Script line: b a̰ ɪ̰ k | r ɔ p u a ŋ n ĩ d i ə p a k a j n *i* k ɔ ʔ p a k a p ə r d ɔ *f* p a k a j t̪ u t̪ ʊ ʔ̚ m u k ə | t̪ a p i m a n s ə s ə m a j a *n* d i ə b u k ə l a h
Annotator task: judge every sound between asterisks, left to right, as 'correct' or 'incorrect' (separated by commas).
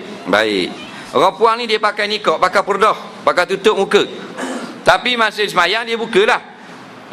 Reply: correct, incorrect, incorrect